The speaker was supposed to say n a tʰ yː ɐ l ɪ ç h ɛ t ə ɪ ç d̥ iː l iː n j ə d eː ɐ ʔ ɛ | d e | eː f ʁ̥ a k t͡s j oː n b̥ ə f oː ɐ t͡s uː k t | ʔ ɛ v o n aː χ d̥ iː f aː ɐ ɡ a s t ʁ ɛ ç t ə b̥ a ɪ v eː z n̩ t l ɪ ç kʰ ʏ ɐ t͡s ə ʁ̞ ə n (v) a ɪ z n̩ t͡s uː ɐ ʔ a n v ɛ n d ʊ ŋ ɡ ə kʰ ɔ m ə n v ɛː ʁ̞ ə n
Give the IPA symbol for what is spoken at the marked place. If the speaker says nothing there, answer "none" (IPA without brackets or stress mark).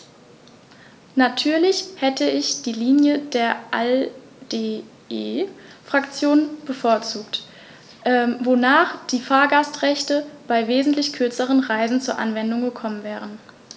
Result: ʁ